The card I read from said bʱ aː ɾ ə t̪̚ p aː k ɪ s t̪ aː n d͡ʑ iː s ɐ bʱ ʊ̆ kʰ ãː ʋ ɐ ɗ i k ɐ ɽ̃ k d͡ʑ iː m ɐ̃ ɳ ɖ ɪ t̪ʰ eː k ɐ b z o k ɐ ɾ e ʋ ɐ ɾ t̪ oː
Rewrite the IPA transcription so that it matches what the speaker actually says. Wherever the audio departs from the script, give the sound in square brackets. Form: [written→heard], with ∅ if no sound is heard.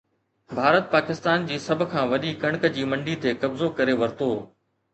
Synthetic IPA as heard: bʱ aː ɾ ə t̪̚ p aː k ɪ s t̪ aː n d͡ʑ iː s ɐ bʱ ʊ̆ kʰ ãː ʋ ɐ ɗ i k ɐ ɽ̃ k d͡ʑ iː m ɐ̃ ɳ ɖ [ɪ→i] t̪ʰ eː k ɐ b z o k ɐ ɾ e ʋ ɐ ɾ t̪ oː

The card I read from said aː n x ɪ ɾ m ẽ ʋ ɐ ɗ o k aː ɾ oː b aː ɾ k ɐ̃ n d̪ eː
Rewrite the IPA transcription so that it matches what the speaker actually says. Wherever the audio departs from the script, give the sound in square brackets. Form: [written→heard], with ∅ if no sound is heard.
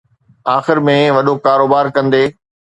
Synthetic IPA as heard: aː [n→∅] x ɪ ɾ m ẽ ʋ ɐ ɗ o k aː ɾ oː b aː ɾ k ɐ̃ n d̪ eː

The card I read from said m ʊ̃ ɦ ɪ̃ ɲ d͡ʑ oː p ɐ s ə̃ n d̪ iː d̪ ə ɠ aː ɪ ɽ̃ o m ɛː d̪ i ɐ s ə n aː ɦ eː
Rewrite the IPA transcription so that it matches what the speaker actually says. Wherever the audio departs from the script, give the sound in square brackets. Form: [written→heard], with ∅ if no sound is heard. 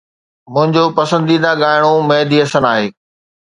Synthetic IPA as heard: m ʊ̃ ɦ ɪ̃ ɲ d͡ʑ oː p ɐ s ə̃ n d̪ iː d̪ [ə→a] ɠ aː ɪ ɽ̃ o m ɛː d̪ i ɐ s ə n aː ɦ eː

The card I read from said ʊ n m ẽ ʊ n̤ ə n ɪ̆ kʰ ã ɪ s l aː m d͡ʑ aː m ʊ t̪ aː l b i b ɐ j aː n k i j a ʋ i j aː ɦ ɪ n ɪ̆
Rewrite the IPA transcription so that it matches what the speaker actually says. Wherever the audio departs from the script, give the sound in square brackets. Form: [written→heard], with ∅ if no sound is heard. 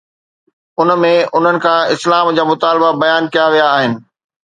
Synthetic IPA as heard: ʊ n m ẽ ʊ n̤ ə n ɪ̆ kʰ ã ɪ s l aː m d͡ʑ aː m ʊ t̪ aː l b [i→a] b ɐ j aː n k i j a ʋ i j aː ɦ ɪ n ɪ̆

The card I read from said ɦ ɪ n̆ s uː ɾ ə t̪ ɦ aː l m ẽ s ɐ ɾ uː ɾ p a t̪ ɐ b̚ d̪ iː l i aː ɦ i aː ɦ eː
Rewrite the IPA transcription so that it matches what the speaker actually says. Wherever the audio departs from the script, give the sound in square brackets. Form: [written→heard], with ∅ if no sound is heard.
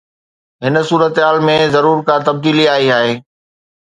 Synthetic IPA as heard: ɦ ɪ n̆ s uː ɾ ə t̪ ɦ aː l m ẽ [s→z] ɐ ɾ uː ɾ [p→k] a t̪ ɐ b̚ d̪ iː l i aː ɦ i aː ɦ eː

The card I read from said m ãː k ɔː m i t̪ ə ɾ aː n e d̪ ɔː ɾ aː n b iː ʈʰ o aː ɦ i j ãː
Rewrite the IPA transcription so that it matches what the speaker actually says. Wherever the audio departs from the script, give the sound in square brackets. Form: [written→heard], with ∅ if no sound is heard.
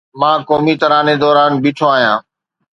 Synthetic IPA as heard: m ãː k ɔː m i t̪ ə ɾ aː n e d̪ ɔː ɾ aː n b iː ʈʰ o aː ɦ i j ãː

